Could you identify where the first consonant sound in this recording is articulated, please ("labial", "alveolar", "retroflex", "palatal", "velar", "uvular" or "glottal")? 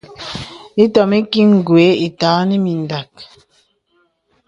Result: alveolar